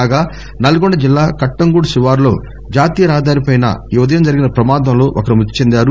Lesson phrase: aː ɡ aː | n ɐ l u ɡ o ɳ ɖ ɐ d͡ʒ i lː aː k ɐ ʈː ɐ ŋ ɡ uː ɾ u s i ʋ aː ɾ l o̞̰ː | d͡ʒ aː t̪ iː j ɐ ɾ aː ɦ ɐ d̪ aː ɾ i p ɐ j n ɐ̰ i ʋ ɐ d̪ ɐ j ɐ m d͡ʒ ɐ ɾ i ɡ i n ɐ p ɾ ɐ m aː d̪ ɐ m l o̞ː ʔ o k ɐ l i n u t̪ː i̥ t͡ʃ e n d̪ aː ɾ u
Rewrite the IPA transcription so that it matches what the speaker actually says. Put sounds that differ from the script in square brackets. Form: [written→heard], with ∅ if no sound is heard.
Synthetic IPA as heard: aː ɡ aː | n ɐ l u ɡ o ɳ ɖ ɐ d͡ʒ i lː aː k ɐ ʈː ɐ ŋ ɡ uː [ɾ→ɽ] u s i ʋ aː ɾ l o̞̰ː | d͡ʒ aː t̪ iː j ɐ ɾ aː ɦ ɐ d̪ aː ɾ i p ɐ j n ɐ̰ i ʋ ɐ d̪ ɐ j ɐ m d͡ʒ ɐ ɾ i ɡ i n ɐ p ɾ ɐ m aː d̪ ɐ m l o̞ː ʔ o k ɐ [l→ɾ] i [n→m] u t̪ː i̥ t͡ʃ e n d̪ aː ɾ u